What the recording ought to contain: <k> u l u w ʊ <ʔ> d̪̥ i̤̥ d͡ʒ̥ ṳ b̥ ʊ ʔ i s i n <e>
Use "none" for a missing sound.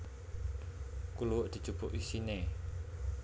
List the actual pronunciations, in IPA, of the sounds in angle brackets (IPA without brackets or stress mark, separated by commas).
k, ʔ, e